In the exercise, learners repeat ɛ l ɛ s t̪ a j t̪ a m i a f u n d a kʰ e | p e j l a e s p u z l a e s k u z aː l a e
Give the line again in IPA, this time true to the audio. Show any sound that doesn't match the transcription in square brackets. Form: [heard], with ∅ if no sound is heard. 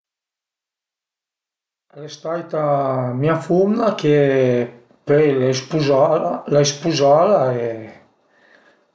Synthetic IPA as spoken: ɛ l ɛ s t̪ a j t̪ a m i a f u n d a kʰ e | p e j l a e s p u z l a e s [p] u z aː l a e